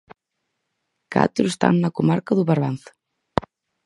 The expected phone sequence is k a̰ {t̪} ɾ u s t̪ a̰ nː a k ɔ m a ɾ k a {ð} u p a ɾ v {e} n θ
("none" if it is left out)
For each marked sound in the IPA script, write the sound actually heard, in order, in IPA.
t̪, ð, a

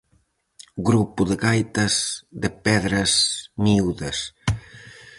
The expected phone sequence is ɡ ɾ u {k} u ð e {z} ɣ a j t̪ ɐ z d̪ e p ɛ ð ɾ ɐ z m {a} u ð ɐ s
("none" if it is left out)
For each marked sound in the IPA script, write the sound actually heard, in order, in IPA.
p, none, i

